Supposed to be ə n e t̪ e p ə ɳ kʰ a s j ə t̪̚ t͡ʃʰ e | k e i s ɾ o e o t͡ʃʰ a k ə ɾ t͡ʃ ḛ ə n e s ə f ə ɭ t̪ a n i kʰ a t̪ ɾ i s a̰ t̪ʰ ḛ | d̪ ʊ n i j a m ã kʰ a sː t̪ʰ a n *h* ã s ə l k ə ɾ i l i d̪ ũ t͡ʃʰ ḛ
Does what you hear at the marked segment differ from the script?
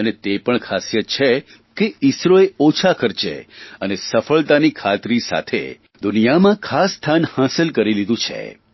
no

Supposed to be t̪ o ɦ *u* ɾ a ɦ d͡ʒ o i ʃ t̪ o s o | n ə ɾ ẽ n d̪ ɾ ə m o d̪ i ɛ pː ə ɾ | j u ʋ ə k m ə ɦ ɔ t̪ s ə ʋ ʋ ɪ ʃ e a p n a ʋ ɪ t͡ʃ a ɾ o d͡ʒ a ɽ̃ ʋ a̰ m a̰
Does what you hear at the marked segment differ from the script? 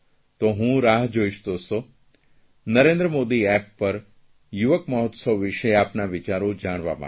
yes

